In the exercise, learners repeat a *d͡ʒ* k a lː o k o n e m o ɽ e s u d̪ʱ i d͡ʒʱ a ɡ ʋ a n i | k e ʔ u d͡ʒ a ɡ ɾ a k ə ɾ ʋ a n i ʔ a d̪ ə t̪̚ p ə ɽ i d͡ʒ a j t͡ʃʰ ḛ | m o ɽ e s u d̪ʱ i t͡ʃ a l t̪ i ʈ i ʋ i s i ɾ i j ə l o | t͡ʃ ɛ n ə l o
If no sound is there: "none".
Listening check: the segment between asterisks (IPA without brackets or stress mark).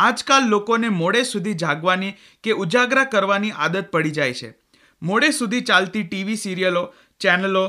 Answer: d͡ʒ